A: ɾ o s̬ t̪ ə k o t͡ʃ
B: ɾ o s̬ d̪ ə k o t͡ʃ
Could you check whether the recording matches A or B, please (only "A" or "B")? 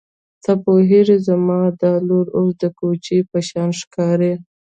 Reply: B